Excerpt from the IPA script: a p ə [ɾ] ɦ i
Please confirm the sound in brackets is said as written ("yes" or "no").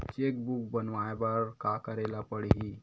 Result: no